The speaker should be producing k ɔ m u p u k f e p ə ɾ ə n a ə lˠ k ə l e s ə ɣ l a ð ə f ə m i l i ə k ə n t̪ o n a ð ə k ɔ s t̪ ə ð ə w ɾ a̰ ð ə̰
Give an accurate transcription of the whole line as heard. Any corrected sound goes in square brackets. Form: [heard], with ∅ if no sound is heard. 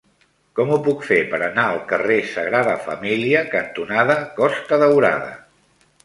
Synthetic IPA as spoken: k ɔ m u p u k f e p ə ɾ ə n a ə lˠ k ə [r] e s ə ɣ [ɾ] a ð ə f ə m i l i ə k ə n t̪ [u] n a ð ə k ɔ s t̪ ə ð ə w ɾ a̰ ð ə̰